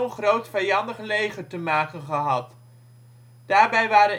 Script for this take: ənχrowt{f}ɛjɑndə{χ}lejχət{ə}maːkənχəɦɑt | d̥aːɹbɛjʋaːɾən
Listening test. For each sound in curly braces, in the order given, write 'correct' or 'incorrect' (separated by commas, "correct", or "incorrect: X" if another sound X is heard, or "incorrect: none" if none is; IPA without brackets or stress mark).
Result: correct, correct, correct